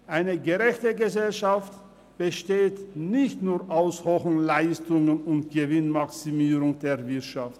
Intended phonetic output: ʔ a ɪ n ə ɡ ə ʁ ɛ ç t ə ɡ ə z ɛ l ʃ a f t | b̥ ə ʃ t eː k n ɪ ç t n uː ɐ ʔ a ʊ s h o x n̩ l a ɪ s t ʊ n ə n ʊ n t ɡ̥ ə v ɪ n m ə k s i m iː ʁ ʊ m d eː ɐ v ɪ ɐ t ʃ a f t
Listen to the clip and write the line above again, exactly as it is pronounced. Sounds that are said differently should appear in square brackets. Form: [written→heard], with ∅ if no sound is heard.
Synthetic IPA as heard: ʔ a ɪ n ə ɡ ə ʁ ɛ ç t ə ɡ ə z ɛ l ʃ a f t | b̥ ə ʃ t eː [k→t] n ɪ ç t n uː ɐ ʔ a ʊ s h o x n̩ l a ɪ s t ʊ [n→ŋ] ə n ʊ n t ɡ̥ ə v ɪ n m [ə→a] k s i m iː ʁ ʊ [m→ŋ] d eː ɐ v ɪ ɐ t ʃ a f t

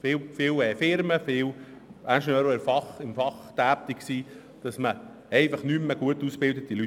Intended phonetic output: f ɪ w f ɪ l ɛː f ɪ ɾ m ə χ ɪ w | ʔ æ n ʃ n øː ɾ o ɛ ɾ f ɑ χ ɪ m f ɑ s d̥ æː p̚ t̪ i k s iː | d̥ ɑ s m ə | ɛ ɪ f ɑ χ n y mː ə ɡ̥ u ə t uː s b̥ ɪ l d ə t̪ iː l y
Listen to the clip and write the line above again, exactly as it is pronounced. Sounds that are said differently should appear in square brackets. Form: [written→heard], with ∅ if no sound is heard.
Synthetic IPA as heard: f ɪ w f ɪ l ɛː f ɪ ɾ m ə [χ→f] ɪ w | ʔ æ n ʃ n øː ɾ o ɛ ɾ f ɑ χ ɪ m f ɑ [s→χ] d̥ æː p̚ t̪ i k s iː | d̥ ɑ s m ə | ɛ ɪ f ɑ χ n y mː ə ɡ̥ u ə t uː s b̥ ɪ l d ə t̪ [iː→i] l y

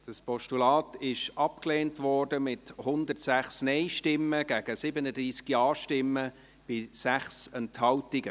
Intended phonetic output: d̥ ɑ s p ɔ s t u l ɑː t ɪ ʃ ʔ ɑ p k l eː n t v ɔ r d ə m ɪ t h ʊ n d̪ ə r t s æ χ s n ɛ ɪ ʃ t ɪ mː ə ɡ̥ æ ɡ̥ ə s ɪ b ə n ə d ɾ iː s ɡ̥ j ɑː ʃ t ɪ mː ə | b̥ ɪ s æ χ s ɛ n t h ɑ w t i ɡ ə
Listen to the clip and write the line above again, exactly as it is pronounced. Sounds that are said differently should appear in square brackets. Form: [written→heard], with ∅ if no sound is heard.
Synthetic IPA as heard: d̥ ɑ s p ɔ [s→ʃ] t u l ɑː t ɪ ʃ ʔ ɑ p k l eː n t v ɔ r d ə m ɪ t h ʊ n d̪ ə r t s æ χ s n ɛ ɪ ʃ t ɪ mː ə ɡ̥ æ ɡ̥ ə s ɪ b ə n ə d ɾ iː s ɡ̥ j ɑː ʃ t ɪ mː ə | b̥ ɪ s æ χ s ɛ n t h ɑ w t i ɡ ə

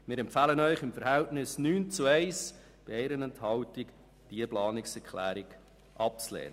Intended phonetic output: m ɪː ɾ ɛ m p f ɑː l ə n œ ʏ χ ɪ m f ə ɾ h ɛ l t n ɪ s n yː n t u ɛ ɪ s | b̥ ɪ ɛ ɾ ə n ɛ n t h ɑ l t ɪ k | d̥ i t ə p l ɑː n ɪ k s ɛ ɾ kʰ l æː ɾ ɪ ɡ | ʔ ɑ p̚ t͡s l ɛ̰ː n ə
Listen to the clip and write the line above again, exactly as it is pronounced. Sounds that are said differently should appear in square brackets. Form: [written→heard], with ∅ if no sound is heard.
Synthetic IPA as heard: m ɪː ɾ ɛ m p f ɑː l ə n œ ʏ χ ɪ m f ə ɾ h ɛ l t n ɪ s n yː n [t→t͡s] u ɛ ɪ s | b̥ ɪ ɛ ɾ ə n ɛ n t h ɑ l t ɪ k | d̥ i [t→∅] ə p l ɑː n ɪ k s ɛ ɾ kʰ l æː ɾ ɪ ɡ | ʔ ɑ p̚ t͡s l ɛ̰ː n ə

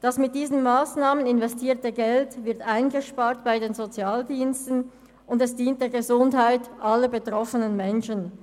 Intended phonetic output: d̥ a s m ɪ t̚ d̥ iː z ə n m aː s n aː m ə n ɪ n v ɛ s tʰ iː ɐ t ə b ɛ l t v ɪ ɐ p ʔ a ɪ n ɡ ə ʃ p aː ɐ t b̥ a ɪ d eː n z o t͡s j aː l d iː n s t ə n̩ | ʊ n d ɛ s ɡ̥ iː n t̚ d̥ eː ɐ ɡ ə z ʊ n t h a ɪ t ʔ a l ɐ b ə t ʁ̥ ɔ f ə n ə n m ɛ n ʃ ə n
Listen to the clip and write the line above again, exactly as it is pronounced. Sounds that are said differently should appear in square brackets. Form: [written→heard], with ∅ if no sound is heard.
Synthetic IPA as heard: d̥ a s m ɪ t̚ d̥ iː z ə n m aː s n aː m ə n ɪ n v ɛ s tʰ iː ɐ t ə [b→ɡ] ɛ l t v ɪ ɐ [p→t] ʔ a ɪ n ɡ ə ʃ p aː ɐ t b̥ a ɪ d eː n z o t͡s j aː l d iː n s t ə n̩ | ʊ n d ɛ s [ɡ̥→d̥] iː n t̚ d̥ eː ɐ ɡ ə z ʊ n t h a ɪ t ʔ a l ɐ b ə t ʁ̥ ɔ f ə n ə n m ɛ n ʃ ə n

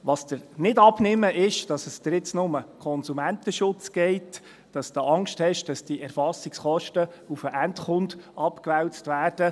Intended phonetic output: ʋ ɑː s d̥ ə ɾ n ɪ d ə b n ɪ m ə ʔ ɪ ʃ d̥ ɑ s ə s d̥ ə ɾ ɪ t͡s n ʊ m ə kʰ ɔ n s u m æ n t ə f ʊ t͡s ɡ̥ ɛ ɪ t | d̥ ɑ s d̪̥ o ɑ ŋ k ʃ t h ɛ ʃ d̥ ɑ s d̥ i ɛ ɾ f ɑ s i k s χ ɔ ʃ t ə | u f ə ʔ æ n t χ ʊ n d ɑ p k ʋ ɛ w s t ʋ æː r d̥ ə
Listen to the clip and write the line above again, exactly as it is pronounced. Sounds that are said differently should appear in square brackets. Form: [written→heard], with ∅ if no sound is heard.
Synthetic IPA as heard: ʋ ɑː s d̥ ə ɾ n ɪ d [ə→ɑ] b n ɪ m ə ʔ ɪ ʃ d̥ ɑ s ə s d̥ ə ɾ ɪ t͡s n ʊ m ə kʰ ɔ n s u m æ n t ə [f→ʃ] ʊ t͡s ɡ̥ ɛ ɪ t | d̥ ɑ s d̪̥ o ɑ ŋ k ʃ t h ɛ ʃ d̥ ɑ s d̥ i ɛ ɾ f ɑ s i k s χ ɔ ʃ t ə | u f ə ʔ æ n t χ ʊ n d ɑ p k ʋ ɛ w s t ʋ æː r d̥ ə

